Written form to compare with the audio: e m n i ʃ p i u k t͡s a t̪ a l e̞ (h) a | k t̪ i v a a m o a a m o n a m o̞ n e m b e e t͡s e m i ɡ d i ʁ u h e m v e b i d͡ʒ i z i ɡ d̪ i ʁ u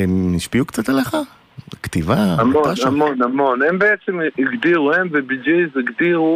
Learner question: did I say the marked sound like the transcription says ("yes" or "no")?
no